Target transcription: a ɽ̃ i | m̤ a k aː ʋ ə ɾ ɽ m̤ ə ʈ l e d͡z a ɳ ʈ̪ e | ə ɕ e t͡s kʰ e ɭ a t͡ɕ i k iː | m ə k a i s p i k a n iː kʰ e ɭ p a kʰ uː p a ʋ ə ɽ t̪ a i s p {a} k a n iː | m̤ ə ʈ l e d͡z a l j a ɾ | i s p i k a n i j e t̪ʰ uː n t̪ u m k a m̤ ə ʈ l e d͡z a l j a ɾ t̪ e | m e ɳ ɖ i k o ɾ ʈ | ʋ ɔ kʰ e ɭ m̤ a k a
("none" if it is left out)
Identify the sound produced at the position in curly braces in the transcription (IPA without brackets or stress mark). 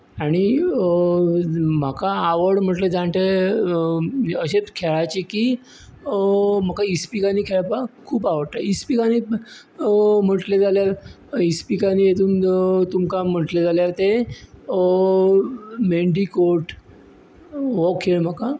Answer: i